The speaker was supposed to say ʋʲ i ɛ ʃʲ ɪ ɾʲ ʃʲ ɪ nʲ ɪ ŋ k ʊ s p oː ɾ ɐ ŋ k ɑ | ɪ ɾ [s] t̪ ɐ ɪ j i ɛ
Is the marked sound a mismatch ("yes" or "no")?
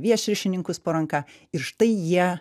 yes